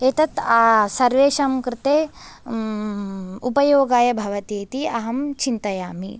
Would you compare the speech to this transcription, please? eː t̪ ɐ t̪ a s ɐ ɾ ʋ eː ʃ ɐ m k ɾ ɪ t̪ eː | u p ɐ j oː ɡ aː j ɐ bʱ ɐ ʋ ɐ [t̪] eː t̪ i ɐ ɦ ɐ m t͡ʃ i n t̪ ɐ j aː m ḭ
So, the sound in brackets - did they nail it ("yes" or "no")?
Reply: yes